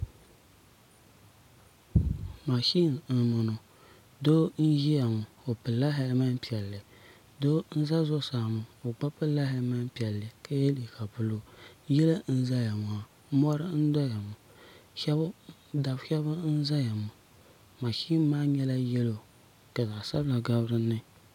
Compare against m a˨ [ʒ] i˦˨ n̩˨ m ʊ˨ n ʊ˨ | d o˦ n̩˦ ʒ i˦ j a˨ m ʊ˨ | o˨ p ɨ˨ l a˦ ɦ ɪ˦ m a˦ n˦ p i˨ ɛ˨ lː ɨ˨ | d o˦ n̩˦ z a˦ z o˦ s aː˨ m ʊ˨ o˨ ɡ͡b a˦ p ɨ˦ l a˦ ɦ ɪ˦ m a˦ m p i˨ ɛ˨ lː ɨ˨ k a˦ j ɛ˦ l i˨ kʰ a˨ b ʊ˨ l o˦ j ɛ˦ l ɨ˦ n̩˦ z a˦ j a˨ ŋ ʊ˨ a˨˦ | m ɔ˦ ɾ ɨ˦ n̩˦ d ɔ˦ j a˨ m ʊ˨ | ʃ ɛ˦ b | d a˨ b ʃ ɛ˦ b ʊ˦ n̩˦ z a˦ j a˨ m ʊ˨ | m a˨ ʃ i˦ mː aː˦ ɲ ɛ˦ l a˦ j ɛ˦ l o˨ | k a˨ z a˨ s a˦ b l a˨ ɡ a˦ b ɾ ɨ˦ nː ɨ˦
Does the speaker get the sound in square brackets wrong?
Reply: yes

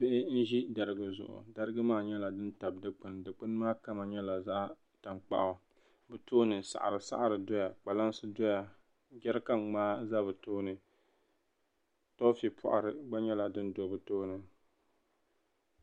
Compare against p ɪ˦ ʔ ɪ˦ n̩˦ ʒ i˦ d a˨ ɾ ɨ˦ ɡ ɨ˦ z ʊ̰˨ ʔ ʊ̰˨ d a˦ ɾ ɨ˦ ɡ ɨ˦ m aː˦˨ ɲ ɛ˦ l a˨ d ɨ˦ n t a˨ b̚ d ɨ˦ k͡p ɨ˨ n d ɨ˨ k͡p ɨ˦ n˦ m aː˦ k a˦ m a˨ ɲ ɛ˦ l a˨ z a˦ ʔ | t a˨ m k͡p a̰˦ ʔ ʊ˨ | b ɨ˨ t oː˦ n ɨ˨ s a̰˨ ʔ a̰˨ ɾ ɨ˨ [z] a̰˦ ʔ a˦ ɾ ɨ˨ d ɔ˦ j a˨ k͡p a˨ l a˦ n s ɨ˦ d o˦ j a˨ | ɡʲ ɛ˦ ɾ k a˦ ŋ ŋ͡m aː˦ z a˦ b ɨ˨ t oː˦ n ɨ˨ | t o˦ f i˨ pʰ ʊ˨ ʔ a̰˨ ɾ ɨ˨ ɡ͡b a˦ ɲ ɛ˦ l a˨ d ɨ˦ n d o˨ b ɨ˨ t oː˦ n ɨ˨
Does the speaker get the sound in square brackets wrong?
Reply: yes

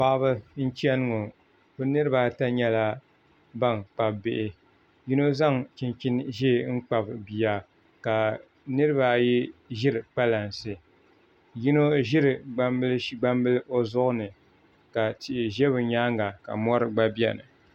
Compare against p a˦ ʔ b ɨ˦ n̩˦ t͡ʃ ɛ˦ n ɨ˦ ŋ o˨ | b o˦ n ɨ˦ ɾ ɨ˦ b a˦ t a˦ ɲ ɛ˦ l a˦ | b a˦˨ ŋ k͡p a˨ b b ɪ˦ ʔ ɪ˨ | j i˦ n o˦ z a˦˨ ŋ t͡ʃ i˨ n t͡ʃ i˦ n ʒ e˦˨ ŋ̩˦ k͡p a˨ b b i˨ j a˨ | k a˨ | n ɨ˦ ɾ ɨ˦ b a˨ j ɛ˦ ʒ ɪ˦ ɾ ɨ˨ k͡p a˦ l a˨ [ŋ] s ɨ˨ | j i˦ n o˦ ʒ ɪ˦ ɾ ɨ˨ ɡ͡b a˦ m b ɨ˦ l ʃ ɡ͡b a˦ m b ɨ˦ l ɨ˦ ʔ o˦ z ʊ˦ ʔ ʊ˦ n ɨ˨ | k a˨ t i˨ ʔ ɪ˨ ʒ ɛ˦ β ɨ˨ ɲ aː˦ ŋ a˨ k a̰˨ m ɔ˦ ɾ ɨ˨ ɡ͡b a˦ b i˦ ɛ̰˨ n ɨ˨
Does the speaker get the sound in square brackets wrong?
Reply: yes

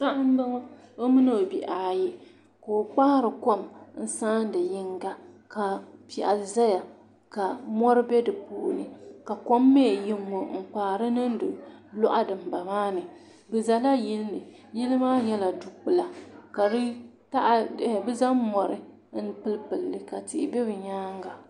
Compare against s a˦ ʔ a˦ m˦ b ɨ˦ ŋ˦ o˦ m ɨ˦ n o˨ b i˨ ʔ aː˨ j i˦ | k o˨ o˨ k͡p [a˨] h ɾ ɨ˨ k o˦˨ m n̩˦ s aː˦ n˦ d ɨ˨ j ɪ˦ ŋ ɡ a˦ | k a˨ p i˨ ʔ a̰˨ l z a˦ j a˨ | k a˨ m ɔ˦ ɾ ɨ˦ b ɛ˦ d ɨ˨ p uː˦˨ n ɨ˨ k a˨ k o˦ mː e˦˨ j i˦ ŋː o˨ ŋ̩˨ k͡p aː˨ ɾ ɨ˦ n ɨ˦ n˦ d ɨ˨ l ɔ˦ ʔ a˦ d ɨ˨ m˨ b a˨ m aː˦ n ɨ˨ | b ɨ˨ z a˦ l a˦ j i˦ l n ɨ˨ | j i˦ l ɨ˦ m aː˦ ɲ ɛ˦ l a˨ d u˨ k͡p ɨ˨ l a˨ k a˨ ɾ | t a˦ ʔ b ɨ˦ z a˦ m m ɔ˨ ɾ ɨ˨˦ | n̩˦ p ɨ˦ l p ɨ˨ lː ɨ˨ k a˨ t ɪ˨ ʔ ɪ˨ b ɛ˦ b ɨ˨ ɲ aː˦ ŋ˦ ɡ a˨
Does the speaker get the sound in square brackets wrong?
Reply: yes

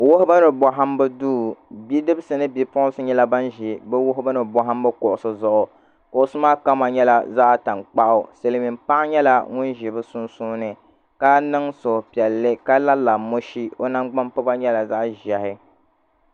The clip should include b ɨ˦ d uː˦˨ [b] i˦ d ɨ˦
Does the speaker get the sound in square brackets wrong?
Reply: no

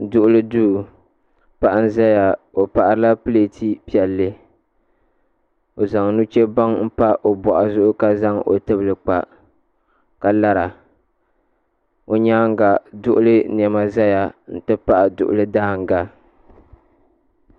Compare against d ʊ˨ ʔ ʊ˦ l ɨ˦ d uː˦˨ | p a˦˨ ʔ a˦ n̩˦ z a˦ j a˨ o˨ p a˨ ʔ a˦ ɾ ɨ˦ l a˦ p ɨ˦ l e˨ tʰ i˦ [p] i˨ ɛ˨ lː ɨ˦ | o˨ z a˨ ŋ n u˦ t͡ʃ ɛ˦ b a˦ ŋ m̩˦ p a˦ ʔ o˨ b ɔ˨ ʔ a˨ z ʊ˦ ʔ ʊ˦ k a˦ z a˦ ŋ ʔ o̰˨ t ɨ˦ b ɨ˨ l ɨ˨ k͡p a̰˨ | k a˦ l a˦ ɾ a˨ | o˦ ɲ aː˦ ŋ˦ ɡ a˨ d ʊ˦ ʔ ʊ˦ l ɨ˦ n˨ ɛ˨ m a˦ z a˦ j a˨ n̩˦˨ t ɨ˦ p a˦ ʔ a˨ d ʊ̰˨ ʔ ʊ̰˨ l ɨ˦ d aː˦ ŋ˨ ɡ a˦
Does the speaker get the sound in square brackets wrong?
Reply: no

